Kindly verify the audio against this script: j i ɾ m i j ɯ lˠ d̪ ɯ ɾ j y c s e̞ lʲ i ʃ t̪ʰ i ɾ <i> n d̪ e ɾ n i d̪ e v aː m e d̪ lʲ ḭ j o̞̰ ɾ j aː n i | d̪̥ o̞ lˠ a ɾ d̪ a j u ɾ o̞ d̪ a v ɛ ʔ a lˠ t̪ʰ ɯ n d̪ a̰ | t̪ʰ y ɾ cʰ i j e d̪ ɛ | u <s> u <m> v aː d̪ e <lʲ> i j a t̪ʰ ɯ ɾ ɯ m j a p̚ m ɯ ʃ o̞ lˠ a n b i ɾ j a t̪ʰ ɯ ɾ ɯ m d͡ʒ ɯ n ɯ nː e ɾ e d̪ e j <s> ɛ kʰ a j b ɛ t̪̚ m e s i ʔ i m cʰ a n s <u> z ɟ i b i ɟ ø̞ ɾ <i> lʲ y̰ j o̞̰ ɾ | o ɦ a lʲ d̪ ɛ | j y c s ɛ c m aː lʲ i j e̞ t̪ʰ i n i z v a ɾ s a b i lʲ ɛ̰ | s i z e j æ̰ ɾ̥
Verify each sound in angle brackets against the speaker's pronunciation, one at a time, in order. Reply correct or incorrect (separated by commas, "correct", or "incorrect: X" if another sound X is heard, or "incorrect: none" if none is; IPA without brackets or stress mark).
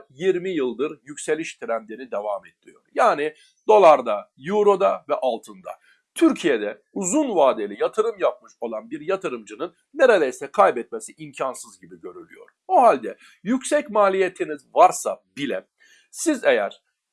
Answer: incorrect: æ, incorrect: z, incorrect: n, correct, correct, incorrect: ɯ, incorrect: y